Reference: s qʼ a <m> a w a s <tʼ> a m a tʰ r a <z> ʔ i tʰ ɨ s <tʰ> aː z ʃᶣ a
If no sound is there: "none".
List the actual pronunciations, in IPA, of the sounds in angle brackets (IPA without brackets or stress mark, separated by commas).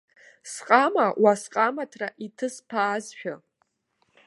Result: m, qʼ, none, pʰ